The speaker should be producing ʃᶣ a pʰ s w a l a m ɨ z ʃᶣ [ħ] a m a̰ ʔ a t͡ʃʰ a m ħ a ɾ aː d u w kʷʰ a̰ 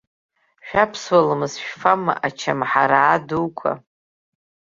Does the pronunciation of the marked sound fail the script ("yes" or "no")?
yes